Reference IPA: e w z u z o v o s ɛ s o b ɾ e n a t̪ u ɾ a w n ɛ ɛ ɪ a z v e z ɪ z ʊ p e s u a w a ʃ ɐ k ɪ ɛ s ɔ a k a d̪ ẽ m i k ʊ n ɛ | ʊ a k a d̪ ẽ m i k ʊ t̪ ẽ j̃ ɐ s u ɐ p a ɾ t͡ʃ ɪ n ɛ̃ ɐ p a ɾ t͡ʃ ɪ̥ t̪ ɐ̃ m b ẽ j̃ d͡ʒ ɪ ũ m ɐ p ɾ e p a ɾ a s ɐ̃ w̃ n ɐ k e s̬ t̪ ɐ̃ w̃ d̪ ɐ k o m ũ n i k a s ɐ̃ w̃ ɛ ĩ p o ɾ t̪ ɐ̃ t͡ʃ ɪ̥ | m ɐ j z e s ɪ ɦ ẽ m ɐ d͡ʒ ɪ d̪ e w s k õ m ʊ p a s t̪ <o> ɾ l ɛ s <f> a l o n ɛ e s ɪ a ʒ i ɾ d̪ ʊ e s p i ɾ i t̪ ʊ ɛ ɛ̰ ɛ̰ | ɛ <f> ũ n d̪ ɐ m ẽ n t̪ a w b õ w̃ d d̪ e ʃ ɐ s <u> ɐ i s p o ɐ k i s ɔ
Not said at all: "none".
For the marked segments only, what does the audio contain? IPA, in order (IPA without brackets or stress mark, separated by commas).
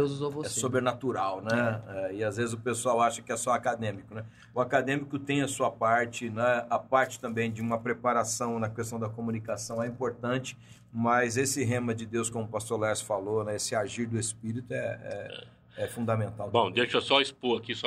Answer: o, f, f, ɔ